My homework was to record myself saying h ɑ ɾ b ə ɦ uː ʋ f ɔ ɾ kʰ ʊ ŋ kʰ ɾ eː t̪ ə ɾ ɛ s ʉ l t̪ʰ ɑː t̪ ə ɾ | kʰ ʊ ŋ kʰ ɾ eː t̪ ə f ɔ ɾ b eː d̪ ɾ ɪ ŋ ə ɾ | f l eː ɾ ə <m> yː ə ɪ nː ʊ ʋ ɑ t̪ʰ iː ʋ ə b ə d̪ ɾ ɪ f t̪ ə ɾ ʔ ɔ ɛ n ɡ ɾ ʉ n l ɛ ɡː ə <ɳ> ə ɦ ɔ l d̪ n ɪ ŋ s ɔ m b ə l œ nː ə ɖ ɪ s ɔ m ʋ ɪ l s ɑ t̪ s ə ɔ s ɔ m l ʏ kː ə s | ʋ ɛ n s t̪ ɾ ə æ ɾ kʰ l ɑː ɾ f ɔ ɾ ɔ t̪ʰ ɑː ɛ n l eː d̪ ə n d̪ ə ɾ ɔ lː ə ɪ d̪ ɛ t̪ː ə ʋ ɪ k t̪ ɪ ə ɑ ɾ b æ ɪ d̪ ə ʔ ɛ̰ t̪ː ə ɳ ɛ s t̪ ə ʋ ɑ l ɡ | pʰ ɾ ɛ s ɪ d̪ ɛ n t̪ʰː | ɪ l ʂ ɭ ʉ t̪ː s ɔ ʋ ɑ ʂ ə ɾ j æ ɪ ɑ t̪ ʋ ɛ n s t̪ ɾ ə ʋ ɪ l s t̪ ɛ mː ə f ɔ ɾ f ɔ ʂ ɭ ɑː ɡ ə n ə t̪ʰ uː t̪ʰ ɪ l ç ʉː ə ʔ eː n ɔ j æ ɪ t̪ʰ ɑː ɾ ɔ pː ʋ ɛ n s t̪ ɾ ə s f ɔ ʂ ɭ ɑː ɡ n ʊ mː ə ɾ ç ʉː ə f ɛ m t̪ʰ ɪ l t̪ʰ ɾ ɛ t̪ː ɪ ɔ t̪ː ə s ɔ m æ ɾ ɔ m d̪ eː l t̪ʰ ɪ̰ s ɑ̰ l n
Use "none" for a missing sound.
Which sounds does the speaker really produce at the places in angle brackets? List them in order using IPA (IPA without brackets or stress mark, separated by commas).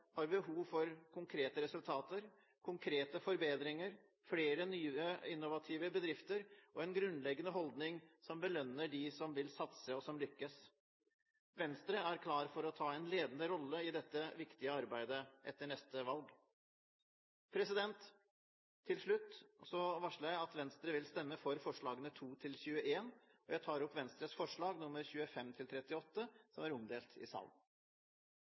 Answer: n, n